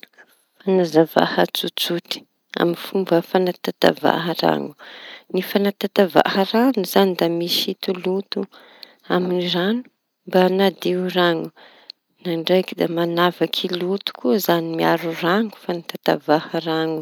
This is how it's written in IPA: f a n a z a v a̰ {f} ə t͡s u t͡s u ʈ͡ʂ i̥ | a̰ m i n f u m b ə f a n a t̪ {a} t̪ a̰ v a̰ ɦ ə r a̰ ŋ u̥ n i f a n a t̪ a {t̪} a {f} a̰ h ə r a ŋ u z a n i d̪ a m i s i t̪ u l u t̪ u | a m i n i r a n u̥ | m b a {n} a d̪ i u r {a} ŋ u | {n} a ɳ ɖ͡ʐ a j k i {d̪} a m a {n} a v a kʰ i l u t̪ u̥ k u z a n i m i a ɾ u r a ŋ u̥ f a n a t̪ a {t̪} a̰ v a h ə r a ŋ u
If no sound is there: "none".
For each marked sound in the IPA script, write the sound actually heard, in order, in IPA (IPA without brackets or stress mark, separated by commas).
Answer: h, a, t̪, v, n, a, n, d̪, n, t̪